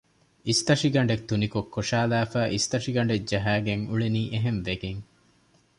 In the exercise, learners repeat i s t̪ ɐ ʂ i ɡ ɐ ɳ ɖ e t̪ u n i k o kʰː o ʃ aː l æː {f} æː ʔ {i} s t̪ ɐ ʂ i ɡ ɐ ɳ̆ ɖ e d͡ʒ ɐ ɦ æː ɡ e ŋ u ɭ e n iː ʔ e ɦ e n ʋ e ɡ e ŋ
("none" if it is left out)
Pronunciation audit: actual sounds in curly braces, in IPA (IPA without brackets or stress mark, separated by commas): f, i